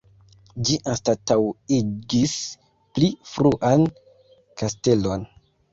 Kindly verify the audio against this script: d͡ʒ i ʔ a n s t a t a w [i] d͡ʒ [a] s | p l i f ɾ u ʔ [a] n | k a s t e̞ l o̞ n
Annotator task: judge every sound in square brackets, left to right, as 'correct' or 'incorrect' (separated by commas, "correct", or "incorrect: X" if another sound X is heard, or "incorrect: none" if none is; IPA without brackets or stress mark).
correct, incorrect: i, correct